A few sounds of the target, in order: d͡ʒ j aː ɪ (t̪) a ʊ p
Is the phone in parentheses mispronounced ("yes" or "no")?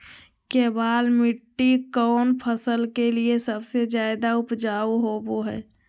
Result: yes